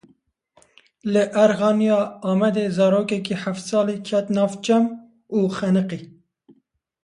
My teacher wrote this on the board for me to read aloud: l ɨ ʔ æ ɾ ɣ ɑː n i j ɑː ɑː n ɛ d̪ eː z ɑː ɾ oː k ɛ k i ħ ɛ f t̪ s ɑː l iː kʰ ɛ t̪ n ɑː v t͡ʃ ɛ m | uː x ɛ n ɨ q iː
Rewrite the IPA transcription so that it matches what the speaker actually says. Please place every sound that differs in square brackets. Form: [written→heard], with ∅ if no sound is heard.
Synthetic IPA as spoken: l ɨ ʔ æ ɾ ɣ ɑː n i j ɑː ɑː [n→m] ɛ d̪ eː z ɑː ɾ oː k ɛ k i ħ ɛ f t̪ s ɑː l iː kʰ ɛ t̪ n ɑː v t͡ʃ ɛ m | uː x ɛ n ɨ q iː